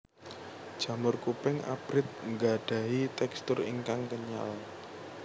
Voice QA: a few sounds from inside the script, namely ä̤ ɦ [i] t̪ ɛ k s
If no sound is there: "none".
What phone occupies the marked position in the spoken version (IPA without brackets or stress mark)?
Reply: i